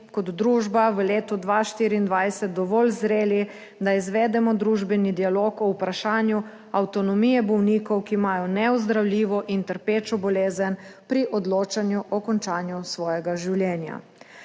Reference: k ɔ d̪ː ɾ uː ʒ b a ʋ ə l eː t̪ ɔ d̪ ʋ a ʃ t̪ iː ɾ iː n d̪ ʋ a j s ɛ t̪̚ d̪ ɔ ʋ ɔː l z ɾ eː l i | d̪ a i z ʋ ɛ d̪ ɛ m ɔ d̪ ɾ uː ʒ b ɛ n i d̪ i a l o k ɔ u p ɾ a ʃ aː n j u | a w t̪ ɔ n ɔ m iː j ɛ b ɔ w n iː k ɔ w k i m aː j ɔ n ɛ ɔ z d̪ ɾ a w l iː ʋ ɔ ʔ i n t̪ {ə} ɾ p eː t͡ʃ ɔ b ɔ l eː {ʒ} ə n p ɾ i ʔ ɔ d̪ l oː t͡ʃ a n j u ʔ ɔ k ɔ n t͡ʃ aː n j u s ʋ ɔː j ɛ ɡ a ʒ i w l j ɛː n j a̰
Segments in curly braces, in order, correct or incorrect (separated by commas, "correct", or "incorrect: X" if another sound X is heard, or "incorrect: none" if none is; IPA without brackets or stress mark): correct, incorrect: z